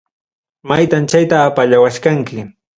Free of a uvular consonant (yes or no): yes